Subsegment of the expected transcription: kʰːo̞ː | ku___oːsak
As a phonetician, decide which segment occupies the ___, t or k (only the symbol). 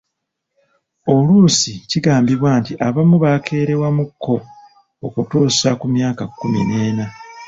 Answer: t